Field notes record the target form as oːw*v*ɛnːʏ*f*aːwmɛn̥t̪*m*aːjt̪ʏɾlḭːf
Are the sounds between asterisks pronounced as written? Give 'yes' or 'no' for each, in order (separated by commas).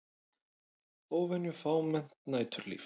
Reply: yes, yes, no